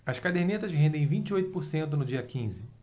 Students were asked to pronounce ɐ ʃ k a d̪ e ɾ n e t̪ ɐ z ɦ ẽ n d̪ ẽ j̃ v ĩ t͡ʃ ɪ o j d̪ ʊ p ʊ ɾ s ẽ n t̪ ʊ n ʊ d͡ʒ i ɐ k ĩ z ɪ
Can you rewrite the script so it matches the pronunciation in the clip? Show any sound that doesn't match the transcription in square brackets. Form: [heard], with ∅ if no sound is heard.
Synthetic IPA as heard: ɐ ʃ k a d̪ e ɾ n e t̪ ɐ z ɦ ẽ n d̪ ẽ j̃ v ĩ t͡ʃ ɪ o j [t̪] ʊ p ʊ ɾ s ẽ n t̪ ʊ n ʊ d͡ʒ i ɐ k ĩ z ɪ